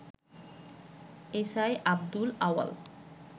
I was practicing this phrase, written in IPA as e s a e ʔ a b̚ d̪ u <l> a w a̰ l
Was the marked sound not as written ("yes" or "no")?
no